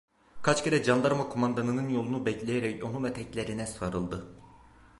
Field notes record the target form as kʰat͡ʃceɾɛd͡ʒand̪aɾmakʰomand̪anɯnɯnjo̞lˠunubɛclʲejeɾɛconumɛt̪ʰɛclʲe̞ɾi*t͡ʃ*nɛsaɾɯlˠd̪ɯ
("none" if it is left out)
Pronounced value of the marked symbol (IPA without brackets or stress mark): none